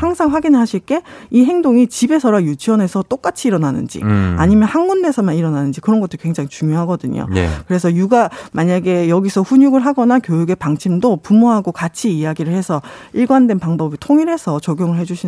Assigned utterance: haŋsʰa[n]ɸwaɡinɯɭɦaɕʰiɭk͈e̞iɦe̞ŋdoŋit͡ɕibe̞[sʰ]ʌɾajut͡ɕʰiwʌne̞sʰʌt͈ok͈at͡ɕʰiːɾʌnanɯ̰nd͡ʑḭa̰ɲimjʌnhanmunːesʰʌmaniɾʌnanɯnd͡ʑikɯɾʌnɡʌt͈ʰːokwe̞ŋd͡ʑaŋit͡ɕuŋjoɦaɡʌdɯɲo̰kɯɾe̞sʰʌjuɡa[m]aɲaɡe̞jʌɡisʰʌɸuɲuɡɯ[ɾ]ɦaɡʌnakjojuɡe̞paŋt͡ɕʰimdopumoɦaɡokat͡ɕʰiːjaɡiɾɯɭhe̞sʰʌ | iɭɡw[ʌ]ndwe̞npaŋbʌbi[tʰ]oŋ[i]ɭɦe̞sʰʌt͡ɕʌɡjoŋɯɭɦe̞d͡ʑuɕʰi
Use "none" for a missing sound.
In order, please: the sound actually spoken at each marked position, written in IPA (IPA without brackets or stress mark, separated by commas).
ŋ, sʰ, m, ɭ, a, tʰ, i